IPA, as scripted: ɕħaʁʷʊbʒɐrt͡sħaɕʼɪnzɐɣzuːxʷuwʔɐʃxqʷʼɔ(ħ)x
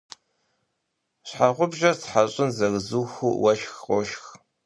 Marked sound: incorrect: ʃ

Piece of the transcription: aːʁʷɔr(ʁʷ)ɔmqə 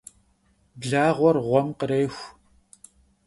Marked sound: correct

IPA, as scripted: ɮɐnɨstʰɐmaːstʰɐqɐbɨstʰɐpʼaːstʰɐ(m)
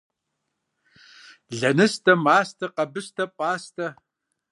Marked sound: incorrect: none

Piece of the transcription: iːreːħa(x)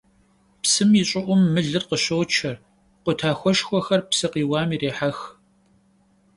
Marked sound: correct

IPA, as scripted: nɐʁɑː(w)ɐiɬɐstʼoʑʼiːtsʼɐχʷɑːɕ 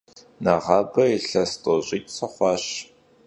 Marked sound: incorrect: b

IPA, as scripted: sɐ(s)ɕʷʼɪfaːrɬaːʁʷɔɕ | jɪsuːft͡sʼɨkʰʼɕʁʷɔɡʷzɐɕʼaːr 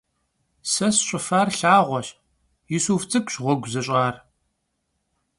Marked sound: correct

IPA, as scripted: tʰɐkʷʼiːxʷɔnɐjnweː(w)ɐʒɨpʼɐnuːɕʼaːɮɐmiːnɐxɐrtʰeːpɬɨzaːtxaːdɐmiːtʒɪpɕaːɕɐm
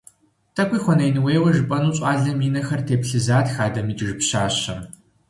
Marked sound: correct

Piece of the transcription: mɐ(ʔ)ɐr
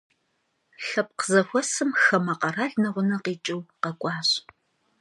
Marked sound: incorrect: q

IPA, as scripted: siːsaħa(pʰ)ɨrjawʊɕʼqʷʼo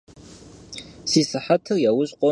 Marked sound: incorrect: tʰ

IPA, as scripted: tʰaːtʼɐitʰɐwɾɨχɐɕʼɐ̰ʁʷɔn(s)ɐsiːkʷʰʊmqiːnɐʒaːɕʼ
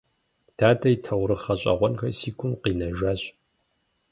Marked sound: incorrect: x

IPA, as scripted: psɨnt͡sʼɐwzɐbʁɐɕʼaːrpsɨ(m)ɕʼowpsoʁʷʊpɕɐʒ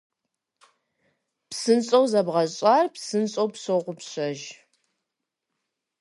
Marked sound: incorrect: n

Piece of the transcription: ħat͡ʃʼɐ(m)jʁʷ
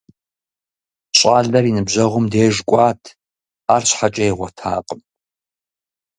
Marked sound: incorrect: none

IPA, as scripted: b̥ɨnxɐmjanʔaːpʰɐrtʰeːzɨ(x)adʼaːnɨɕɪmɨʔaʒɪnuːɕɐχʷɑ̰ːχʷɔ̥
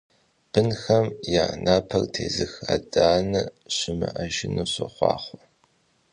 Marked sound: correct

